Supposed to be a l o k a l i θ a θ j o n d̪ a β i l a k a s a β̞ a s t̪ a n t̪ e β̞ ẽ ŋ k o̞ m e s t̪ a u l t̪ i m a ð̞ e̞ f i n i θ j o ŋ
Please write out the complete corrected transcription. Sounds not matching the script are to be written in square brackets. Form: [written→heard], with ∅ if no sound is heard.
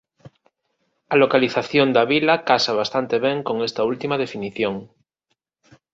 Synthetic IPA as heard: a l o k a l i θ a θ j o n d̪ a β i l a k a s a β̞ a s t̪ a n t̪ e β̞ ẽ ŋ k o̞ [m→ŋ] e s t̪ a u l t̪ i m a ð̞ e̞ f i n i θ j o ŋ